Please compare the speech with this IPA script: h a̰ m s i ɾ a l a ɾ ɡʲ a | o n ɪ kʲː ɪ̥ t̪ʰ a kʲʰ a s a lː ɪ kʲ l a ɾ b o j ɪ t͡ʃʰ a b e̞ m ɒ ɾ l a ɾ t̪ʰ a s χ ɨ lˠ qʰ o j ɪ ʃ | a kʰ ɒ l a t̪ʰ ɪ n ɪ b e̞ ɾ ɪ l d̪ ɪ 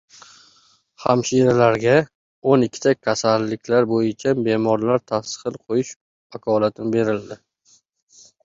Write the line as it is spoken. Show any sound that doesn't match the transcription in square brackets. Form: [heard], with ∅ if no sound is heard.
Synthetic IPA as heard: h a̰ m [ʃ] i ɾ a l a ɾ ɡʲ a | o n ɪ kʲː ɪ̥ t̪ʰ a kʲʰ a s a lː ɪ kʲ l a ɾ b o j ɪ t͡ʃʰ a b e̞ m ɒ ɾ l a ɾ t̪ʰ a s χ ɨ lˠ qʰ o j ɪ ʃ | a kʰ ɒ l a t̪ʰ ɪ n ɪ b e̞ ɾ ɪ l d̪ ɪ